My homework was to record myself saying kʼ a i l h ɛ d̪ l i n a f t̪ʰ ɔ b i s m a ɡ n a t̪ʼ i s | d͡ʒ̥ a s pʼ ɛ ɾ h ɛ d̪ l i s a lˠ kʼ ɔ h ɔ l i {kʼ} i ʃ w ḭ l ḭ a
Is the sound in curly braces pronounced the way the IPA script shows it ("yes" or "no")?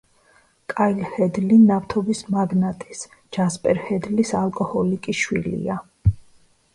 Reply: yes